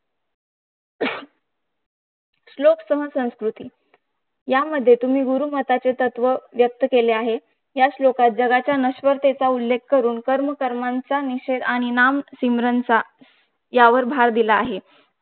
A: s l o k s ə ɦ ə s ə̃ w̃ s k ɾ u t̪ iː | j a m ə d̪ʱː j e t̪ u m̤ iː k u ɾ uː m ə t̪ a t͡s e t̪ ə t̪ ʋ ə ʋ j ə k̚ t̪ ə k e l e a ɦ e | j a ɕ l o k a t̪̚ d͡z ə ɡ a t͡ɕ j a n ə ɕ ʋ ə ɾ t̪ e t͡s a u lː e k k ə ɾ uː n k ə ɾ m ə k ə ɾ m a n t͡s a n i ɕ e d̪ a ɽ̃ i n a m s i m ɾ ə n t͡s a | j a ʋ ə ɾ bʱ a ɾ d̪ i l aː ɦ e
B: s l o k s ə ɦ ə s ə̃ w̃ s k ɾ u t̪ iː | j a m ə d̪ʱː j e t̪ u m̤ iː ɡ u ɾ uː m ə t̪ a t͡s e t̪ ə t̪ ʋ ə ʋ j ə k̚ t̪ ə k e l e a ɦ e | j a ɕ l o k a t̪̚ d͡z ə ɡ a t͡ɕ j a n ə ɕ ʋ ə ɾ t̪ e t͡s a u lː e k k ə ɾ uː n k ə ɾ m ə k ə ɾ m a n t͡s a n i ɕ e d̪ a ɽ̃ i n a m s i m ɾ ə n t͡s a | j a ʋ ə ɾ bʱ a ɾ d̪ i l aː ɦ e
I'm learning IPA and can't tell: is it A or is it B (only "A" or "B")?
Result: B